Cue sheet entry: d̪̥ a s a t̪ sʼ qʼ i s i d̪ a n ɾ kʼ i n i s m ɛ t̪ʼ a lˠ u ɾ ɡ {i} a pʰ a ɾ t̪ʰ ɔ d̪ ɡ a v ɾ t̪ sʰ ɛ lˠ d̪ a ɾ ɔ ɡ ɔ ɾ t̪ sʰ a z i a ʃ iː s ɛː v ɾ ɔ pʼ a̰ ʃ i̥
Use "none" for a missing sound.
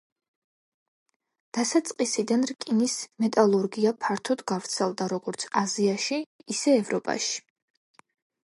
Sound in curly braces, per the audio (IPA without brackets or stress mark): i